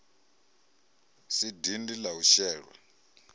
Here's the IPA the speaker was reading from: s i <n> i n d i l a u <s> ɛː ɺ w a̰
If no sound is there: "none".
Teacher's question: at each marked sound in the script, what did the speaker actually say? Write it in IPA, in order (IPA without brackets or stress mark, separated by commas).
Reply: d, ʃ